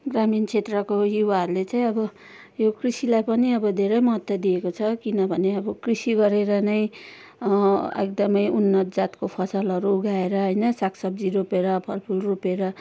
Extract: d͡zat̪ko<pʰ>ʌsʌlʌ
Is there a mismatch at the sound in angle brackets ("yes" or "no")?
no